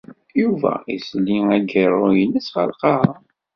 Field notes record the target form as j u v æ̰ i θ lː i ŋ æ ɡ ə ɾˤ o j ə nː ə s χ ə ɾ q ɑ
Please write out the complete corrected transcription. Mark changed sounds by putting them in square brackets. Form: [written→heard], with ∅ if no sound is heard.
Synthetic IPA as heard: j u v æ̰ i [θ→s] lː i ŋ æ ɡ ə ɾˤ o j ə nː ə s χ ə [ɾ→l] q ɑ